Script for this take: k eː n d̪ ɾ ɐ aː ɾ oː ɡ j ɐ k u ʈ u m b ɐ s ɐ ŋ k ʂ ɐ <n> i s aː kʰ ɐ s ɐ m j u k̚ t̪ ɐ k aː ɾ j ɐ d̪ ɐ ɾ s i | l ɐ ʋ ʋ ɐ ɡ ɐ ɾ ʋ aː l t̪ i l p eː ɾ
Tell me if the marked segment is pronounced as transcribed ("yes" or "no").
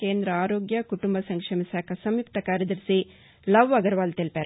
no